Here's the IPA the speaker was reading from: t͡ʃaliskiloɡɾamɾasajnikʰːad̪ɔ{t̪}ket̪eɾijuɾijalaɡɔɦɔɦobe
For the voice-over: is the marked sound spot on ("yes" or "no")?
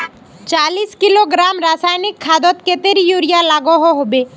yes